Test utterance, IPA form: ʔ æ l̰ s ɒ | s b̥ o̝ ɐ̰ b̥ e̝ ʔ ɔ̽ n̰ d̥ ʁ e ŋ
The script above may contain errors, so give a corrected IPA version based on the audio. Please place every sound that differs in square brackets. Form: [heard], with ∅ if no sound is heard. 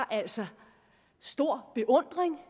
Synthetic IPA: ʔ æ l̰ s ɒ | s [d̥] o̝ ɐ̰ b̥ e̝ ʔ ɔ̽ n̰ d̥ ʁ e ŋ